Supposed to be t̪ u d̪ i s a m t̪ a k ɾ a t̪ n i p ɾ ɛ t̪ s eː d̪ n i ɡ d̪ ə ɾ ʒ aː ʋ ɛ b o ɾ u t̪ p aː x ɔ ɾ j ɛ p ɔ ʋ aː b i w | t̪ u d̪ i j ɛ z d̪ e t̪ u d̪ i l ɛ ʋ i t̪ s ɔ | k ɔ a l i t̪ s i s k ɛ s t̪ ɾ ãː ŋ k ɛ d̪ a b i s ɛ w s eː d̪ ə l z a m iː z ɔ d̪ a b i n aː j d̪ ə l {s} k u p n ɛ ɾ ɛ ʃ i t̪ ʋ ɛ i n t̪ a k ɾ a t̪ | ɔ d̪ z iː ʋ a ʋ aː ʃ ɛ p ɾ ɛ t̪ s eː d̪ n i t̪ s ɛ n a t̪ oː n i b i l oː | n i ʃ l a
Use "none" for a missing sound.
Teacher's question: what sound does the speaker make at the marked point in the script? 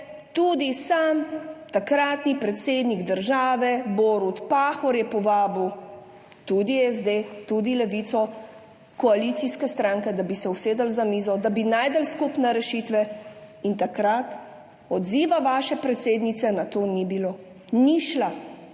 s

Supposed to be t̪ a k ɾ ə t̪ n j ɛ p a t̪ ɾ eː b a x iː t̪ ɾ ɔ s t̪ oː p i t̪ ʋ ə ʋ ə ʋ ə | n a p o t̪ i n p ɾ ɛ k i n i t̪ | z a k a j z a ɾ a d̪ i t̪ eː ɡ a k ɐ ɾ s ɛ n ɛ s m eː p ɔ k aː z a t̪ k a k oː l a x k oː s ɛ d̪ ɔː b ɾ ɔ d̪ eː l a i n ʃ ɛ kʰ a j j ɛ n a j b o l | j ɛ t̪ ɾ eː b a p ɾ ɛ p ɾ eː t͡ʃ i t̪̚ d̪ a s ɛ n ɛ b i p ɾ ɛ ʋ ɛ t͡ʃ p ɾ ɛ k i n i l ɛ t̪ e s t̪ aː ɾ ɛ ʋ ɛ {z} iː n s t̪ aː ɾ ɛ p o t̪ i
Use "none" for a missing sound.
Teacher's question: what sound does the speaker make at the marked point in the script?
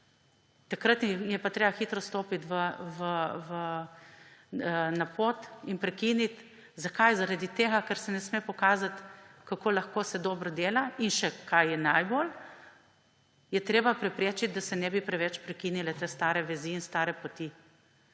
z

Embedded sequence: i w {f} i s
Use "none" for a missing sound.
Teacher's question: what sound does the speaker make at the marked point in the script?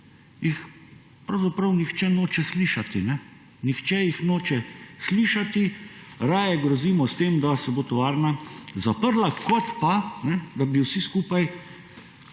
s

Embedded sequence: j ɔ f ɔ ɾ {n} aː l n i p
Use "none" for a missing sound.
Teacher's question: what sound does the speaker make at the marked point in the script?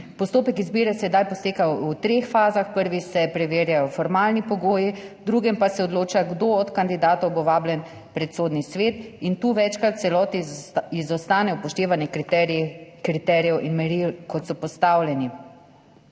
m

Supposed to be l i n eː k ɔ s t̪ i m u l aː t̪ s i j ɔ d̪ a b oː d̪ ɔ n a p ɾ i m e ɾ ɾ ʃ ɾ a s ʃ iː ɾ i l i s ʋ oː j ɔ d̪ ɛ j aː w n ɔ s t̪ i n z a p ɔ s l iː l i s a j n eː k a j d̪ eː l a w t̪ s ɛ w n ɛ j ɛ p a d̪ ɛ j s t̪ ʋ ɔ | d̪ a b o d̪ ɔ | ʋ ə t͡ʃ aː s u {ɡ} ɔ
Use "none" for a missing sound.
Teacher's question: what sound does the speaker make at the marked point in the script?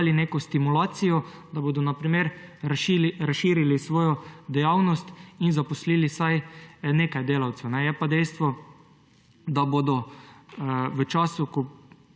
k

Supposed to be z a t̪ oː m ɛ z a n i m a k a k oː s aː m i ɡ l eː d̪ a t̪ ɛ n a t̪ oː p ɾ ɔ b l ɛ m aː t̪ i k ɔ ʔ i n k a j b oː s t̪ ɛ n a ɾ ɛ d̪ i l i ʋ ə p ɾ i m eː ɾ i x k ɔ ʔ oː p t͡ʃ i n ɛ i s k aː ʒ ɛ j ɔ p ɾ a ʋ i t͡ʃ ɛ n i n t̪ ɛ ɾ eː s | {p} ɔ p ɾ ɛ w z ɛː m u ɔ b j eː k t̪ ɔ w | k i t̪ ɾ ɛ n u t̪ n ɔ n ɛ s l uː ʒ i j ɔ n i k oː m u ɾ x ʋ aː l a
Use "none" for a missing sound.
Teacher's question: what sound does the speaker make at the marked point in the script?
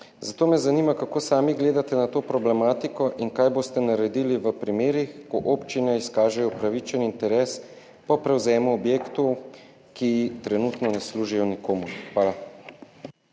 p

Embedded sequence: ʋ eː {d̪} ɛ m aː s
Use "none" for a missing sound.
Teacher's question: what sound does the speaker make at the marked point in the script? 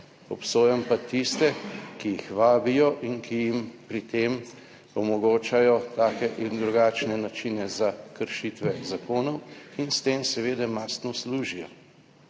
d̪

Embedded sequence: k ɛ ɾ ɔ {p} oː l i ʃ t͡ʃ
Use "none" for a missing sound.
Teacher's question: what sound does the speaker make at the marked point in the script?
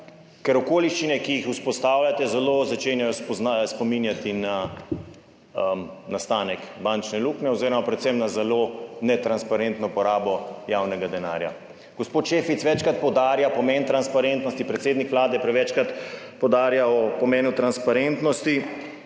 k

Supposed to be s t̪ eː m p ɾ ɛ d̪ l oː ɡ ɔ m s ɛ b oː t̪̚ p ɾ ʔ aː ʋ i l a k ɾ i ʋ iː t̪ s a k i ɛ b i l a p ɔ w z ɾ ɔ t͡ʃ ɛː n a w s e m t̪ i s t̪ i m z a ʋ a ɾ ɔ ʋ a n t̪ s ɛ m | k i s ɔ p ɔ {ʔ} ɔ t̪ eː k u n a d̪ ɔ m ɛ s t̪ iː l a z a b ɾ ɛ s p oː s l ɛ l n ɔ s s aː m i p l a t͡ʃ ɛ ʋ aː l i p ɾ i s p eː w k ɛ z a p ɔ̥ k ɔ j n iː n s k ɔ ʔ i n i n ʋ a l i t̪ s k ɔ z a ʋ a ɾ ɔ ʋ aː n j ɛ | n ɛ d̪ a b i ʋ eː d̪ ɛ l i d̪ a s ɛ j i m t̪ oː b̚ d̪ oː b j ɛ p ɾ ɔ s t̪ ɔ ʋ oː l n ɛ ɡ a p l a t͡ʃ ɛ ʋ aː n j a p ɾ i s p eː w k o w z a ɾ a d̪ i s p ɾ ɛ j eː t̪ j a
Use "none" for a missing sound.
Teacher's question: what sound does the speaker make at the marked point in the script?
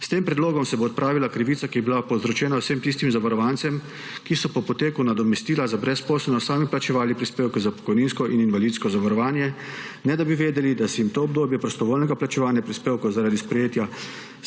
p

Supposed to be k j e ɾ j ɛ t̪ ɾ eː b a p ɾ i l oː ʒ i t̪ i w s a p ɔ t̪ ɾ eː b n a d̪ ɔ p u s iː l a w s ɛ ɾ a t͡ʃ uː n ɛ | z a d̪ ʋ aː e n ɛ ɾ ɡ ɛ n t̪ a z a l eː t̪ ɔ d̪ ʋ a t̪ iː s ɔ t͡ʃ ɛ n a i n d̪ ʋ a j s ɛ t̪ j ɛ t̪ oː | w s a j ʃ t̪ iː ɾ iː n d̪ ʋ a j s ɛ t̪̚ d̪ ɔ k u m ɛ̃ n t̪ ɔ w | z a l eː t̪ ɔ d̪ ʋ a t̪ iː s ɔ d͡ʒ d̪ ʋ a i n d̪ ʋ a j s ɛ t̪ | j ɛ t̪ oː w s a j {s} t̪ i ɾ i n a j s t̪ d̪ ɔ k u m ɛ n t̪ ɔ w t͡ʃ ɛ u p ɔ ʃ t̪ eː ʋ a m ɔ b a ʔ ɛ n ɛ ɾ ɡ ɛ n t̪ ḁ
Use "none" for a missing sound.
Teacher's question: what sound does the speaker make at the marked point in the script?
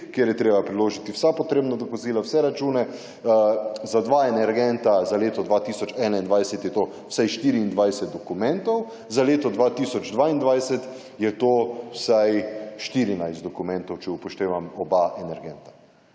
ʃ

